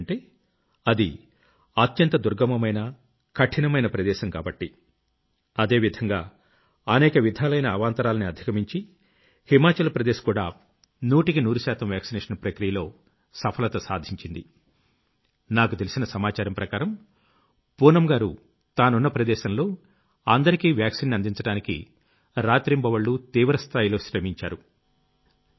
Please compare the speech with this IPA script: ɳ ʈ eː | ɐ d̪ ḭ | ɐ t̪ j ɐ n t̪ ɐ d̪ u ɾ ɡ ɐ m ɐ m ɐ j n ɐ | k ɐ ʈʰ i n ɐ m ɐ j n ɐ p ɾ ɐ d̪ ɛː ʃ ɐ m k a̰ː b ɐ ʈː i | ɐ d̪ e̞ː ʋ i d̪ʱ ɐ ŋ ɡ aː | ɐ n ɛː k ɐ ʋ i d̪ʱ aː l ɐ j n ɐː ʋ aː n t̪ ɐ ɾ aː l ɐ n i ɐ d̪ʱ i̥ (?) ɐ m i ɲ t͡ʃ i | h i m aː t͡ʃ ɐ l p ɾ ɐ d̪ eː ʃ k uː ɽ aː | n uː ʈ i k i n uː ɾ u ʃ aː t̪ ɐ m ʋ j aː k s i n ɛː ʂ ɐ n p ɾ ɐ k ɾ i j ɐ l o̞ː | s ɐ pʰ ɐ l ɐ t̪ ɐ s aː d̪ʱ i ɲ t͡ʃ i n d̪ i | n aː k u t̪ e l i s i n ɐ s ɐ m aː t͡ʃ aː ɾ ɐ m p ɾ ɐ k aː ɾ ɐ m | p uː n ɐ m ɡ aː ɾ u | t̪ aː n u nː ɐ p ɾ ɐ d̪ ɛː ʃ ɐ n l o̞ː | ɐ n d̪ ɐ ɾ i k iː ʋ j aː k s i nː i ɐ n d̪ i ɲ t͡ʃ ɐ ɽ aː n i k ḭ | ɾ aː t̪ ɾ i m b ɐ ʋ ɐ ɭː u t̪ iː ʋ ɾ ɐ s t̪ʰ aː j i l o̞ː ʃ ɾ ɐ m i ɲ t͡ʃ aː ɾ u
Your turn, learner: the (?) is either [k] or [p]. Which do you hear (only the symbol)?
k